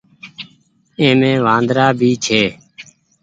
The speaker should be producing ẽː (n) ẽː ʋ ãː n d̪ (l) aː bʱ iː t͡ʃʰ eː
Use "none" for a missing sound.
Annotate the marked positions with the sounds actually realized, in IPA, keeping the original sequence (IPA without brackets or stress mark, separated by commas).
m, ɾ